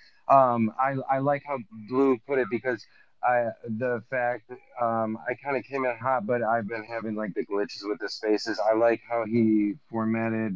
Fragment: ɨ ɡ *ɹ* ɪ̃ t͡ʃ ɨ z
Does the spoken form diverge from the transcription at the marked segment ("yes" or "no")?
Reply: yes